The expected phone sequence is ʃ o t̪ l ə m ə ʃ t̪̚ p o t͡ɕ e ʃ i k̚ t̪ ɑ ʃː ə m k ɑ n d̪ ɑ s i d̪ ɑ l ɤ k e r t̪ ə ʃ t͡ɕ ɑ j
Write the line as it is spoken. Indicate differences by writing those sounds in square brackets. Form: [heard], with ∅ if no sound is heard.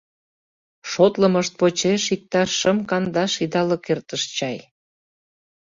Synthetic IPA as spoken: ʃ o t̪ l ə m ə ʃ t̪̚ p o t͡ɕ e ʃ i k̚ t̪ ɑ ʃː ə m k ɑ n d̪ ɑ [ʃ] i d̪ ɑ l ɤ k e r t̪ ə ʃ t͡ɕ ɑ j